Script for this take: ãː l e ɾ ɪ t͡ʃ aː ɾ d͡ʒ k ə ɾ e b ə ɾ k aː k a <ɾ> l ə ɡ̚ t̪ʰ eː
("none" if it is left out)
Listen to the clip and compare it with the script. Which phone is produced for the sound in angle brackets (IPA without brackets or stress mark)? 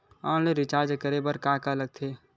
none